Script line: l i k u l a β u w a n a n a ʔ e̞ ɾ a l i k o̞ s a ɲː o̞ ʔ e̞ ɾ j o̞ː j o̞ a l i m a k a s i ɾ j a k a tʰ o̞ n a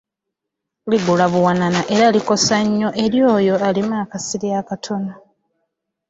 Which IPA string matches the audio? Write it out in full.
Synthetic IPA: l i ɡ u l a β u w a n a n a ʔ e̞ ɾ a l i k o̞ s a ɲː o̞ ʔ e̞ ɾ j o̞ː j o̞ a l i m a k a s i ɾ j a k a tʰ o̞ n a